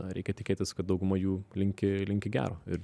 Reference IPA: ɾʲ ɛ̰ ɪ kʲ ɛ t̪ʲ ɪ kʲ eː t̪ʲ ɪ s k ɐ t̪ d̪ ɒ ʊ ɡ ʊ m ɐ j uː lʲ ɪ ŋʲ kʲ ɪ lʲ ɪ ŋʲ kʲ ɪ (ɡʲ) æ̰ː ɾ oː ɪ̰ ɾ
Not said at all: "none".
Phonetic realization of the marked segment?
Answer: ɡʲ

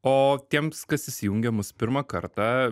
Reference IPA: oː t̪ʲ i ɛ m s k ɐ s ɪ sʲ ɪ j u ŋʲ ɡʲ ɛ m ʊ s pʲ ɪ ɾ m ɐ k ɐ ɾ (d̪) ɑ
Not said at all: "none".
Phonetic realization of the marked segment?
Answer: t̪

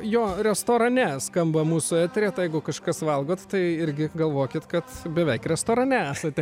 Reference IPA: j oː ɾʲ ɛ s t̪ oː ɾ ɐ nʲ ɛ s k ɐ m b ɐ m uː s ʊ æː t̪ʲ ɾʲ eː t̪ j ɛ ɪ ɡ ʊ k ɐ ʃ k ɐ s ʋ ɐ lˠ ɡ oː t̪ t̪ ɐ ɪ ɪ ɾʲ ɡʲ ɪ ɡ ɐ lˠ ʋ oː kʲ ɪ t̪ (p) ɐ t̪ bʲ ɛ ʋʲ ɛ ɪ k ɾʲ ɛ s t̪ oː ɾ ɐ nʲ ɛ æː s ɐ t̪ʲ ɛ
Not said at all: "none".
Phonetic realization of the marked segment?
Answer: k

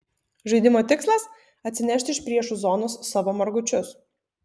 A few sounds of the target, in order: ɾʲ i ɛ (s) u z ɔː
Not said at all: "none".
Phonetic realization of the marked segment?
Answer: ʃ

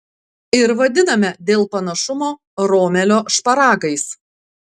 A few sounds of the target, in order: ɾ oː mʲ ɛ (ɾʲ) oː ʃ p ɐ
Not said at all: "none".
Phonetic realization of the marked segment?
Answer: lʲ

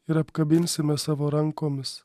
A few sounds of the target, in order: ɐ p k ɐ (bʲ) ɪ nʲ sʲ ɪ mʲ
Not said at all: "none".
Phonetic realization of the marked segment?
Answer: bʲ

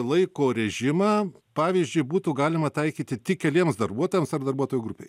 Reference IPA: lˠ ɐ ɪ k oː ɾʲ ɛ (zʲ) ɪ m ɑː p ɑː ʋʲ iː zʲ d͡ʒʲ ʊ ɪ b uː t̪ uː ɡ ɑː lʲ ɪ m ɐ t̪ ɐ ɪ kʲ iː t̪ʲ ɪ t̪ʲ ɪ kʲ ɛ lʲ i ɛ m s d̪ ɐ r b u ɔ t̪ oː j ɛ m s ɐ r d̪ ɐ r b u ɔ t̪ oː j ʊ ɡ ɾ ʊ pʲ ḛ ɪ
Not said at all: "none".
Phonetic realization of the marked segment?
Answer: ʒʲ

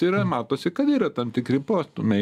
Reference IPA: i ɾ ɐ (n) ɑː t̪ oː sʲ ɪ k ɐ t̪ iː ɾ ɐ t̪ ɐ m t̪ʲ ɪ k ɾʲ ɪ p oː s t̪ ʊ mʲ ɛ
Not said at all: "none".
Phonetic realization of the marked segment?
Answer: m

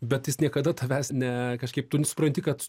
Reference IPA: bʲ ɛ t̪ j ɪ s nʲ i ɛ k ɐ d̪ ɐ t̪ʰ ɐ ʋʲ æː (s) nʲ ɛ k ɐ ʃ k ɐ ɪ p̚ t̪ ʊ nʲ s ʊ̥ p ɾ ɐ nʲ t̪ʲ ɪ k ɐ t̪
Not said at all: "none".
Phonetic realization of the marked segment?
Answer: s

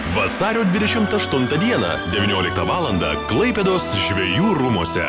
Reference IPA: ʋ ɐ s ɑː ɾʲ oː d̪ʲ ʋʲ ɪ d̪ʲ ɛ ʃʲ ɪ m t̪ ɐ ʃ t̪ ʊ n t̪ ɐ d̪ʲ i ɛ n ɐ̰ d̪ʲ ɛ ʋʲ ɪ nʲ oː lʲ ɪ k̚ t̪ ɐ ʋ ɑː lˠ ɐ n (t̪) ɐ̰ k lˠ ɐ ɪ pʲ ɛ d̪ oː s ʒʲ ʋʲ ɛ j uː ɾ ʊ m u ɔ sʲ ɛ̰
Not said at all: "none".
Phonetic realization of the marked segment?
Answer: d̪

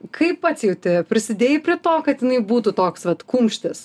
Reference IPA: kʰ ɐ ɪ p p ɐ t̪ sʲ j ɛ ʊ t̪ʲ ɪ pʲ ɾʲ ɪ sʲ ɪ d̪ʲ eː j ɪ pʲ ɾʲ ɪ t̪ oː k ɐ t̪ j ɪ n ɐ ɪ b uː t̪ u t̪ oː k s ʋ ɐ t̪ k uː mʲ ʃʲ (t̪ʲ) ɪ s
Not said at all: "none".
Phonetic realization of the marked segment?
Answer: t̪ʲ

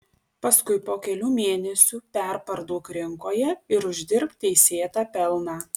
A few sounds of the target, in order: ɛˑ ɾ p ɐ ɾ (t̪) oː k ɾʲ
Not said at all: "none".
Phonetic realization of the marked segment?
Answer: d̪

